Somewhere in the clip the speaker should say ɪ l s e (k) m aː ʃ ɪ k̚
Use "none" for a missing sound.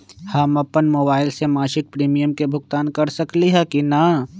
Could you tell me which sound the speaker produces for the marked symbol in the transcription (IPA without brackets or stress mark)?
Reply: none